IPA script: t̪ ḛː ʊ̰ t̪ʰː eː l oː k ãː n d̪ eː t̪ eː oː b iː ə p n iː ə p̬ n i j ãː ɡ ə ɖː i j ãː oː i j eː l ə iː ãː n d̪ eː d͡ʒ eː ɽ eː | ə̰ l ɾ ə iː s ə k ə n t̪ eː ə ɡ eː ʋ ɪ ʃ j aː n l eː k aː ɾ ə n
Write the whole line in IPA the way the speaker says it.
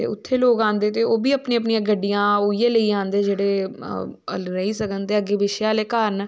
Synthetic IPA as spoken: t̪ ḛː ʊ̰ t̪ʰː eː l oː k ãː n d̪ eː t̪ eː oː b iː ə p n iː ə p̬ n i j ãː ɡ ə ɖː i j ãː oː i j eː l ə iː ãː n d̪ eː d͡ʒ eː ɽ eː | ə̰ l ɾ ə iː s ə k ə n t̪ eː ə ɡ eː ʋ ɪ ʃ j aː l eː k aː ɾ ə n